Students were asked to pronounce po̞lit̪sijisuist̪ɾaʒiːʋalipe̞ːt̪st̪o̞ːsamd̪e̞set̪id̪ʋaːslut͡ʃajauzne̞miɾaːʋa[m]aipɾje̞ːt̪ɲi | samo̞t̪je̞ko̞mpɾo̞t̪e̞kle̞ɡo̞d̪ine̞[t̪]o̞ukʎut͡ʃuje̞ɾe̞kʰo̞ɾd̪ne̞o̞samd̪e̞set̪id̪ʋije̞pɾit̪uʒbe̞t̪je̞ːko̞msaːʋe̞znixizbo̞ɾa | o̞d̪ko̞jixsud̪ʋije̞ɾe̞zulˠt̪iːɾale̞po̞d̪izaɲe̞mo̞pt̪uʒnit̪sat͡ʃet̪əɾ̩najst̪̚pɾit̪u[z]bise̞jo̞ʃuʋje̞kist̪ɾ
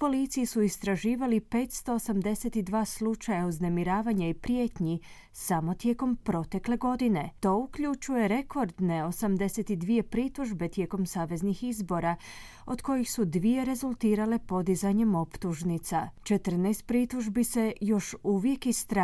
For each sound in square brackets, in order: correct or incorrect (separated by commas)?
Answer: incorrect, correct, incorrect